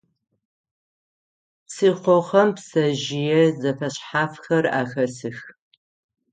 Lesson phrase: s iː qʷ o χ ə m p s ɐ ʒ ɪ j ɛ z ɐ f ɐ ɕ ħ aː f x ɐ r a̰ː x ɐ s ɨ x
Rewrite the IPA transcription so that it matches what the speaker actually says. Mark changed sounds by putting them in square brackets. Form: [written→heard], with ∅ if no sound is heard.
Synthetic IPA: s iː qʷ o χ [ə→ɐ] m p s ɐ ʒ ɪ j ɛ z ɐ f ɐ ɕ ħ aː f x ɐ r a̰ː x ɐ s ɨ x